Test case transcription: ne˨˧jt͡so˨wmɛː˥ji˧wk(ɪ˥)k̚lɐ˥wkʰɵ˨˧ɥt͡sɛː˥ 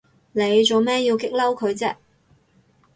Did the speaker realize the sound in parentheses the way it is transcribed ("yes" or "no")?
yes